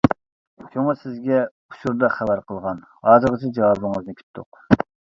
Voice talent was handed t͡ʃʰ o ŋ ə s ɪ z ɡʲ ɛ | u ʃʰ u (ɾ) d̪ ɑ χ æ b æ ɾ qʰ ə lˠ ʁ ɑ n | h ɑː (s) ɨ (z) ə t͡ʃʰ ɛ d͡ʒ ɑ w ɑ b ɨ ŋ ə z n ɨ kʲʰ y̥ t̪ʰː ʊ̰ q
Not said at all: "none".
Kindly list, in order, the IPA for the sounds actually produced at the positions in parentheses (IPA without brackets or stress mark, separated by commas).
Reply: ɾ, z, ʁ